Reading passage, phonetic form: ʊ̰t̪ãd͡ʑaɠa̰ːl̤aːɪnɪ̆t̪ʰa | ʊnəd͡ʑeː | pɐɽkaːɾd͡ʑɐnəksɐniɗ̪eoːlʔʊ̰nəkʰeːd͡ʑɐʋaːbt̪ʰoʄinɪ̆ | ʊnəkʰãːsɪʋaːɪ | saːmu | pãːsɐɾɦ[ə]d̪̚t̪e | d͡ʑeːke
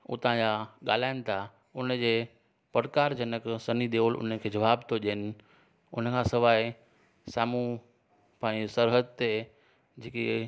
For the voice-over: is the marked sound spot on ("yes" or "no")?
yes